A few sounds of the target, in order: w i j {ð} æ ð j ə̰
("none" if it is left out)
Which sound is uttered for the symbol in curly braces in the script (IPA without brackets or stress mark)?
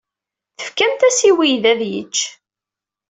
ð